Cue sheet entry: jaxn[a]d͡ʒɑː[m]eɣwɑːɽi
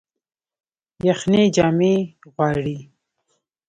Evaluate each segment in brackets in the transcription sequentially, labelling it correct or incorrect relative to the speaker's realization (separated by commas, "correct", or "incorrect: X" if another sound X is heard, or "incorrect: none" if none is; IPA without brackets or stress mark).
incorrect: e, correct